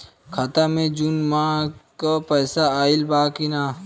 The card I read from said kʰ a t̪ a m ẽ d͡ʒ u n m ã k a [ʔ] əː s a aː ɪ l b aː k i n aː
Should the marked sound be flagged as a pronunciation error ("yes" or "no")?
yes